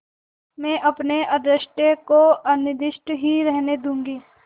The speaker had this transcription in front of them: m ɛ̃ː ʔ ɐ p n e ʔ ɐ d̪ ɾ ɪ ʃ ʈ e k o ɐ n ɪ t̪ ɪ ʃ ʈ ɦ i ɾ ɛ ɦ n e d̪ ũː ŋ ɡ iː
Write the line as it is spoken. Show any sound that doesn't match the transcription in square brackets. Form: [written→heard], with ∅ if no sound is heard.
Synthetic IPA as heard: m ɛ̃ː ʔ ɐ p n e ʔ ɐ d̪ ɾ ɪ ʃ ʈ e k o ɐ n ɪ [t̪→d̪] ɪ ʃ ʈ ɦ i ɾ ɛ ɦ n e d̪ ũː ŋ ɡ iː